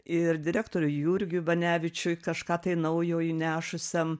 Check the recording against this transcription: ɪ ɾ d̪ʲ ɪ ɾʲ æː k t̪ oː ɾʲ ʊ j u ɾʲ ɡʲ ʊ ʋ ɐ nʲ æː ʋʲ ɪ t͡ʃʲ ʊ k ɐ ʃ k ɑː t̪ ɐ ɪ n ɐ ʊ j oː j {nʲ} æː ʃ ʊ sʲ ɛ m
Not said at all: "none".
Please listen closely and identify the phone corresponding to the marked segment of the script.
nʲ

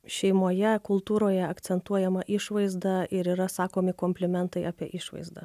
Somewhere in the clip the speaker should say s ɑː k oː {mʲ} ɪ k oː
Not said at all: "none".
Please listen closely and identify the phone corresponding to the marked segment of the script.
mʲ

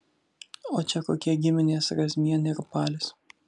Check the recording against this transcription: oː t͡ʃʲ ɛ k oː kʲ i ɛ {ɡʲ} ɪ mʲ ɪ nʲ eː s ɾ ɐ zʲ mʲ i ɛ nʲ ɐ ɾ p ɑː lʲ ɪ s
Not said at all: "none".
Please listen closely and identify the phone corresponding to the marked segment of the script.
ɡʲ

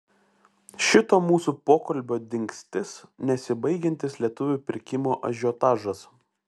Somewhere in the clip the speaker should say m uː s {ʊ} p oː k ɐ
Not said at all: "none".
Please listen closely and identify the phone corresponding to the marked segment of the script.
u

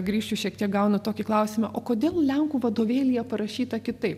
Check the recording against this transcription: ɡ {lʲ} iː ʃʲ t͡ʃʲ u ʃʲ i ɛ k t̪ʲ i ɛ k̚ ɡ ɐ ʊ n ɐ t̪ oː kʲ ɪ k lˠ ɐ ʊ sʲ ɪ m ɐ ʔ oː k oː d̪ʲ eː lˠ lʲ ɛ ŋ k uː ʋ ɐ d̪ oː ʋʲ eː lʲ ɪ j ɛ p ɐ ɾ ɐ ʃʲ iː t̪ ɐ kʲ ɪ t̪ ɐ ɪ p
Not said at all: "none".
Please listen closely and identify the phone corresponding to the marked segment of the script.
ɾʲ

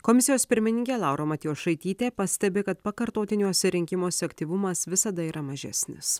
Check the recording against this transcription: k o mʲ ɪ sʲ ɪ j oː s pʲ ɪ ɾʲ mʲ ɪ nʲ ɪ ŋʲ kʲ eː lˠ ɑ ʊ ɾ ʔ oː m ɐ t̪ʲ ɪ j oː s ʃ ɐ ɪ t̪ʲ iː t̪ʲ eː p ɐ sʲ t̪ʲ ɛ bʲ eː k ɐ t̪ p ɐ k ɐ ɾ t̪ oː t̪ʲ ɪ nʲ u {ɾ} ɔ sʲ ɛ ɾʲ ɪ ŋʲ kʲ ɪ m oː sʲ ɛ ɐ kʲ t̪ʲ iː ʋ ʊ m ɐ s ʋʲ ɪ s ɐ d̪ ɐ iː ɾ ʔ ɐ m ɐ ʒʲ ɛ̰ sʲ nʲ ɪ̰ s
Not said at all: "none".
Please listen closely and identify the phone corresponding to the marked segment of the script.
none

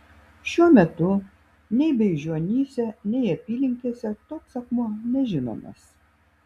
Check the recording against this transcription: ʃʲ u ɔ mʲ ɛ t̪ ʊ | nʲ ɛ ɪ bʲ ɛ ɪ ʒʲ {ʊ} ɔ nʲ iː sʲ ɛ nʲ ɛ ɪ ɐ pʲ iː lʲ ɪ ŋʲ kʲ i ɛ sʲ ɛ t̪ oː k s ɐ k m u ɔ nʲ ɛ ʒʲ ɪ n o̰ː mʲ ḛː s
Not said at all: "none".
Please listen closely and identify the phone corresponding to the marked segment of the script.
u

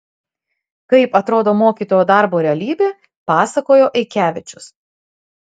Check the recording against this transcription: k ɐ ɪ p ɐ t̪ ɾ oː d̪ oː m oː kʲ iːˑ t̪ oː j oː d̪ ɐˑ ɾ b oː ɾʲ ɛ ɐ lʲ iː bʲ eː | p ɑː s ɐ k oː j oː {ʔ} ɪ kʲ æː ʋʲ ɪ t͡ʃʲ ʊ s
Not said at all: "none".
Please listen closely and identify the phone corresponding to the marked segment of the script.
ʔ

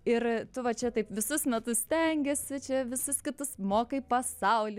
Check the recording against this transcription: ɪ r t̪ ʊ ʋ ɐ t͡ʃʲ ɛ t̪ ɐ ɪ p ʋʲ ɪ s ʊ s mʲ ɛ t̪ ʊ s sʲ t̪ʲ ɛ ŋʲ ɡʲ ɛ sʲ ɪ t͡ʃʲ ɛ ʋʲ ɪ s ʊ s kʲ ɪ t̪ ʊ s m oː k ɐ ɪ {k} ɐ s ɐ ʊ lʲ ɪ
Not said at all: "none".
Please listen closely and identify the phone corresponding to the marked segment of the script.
p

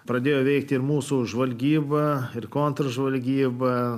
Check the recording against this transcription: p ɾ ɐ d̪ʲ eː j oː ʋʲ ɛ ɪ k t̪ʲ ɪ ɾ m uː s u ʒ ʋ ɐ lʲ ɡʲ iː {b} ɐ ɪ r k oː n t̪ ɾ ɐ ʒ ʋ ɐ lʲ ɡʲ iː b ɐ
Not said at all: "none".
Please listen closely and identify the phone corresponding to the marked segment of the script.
b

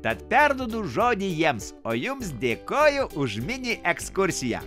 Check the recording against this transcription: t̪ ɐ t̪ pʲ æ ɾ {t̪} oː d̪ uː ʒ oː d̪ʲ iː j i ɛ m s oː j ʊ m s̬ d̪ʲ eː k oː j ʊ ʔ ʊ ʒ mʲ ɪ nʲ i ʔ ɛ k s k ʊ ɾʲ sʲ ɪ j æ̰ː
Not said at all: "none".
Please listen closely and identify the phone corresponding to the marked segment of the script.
d̪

